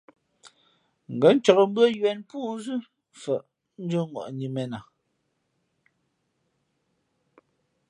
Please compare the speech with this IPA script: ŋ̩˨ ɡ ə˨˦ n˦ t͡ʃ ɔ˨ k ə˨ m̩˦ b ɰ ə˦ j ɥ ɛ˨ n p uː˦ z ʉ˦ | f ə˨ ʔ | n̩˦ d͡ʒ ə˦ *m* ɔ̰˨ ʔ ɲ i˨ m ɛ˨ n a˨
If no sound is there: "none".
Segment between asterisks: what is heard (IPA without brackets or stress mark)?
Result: ŋ